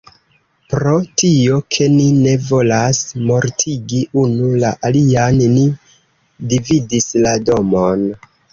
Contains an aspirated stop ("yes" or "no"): yes